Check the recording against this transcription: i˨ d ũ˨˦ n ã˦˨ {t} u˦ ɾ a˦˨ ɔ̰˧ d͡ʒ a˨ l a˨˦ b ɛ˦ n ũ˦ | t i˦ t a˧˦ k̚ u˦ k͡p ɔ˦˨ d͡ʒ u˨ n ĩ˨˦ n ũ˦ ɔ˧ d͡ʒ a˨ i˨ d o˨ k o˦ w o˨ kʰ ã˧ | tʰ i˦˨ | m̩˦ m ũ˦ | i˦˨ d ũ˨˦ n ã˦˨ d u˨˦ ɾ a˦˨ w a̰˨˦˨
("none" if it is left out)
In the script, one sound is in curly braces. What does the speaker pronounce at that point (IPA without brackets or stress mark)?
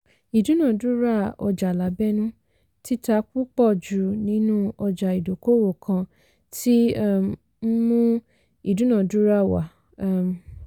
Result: d